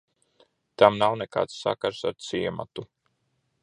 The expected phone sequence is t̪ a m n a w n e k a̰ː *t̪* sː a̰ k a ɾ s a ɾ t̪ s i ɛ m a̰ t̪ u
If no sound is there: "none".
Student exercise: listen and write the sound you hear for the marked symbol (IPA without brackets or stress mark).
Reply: t̪